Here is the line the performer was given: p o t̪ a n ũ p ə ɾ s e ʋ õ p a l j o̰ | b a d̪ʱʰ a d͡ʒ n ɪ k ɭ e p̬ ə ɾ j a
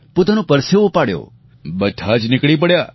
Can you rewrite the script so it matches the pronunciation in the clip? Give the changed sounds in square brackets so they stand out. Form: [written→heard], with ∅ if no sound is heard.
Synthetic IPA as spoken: p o t̪ a n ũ p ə ɾ s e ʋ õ p a [l→ɽ] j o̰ | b [a→ə] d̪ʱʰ a d͡ʒ n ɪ k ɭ [e→i] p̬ ə [ɾ→ɽ] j a